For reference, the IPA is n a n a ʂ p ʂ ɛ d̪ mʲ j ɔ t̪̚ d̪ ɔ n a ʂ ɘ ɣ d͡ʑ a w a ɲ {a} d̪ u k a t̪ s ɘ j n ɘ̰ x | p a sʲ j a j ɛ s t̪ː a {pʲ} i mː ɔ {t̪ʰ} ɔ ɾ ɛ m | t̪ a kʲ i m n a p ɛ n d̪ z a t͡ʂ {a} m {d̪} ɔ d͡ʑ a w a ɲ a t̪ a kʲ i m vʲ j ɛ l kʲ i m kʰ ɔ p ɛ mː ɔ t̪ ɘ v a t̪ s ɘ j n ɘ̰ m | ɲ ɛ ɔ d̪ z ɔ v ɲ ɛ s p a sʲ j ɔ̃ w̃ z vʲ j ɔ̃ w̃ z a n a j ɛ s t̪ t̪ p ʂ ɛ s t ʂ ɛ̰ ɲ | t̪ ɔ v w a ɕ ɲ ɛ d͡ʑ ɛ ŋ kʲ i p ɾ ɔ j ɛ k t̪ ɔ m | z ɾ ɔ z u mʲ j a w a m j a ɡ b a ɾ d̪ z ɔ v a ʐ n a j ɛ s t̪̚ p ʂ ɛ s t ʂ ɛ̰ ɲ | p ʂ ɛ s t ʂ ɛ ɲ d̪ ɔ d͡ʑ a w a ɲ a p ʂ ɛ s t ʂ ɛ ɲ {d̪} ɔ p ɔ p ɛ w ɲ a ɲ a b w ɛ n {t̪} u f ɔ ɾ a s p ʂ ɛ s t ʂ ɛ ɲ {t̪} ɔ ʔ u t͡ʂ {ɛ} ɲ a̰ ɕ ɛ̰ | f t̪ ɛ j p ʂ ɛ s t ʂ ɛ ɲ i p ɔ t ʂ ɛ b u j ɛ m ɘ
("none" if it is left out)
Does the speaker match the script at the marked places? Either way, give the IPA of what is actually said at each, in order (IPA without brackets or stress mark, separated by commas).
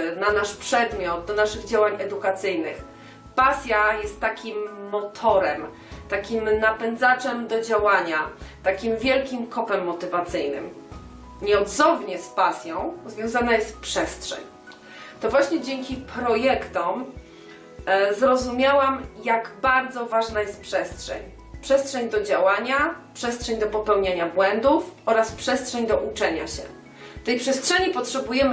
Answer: ɛ, kʲ, t̪ʰ, ɛ, d̪, d̪, d̪, d̪, ɛ